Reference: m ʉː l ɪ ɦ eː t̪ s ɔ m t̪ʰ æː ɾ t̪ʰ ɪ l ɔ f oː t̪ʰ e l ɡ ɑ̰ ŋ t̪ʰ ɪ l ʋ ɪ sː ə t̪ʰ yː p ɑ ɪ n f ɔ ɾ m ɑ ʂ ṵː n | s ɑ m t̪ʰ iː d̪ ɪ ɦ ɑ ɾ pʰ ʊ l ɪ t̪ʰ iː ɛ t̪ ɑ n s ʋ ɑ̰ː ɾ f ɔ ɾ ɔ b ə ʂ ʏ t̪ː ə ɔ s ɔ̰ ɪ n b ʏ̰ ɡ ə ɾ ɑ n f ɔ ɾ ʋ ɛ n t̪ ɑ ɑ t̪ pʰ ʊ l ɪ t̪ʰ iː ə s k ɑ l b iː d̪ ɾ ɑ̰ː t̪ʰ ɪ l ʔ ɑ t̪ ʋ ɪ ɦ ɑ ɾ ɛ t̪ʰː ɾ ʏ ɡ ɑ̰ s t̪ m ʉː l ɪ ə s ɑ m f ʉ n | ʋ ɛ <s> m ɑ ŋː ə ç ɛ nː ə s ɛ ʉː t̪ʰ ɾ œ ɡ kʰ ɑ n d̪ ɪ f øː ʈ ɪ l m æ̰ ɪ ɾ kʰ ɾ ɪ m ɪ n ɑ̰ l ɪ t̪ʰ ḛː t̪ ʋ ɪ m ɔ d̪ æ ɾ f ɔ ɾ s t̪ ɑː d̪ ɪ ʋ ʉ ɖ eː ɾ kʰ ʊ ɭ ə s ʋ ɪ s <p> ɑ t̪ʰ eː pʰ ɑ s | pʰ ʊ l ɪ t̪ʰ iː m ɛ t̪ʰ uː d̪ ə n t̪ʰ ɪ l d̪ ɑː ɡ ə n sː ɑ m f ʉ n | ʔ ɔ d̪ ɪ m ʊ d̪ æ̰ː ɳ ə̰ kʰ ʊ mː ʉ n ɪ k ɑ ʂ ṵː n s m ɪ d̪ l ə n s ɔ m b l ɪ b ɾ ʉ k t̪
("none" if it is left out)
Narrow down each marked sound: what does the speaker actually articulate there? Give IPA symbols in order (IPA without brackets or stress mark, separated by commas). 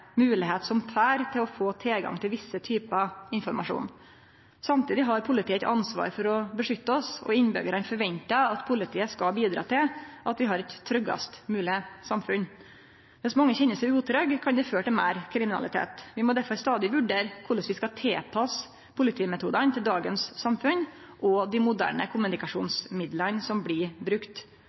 s, k